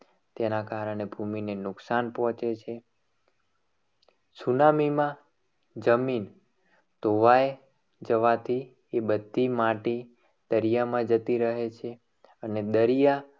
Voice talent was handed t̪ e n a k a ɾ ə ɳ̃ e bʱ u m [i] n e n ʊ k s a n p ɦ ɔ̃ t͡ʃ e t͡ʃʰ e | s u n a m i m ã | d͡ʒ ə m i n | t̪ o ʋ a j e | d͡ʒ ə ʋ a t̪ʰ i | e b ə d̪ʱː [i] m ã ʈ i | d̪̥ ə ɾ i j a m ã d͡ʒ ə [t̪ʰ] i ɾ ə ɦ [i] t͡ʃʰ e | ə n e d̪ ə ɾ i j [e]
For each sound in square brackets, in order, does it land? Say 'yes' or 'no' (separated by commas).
yes, yes, no, no, no